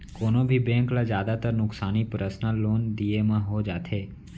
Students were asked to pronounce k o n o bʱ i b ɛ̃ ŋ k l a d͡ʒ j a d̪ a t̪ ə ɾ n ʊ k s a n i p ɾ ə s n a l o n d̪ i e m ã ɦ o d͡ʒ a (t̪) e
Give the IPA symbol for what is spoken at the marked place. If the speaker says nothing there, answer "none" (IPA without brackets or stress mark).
t̪ʰ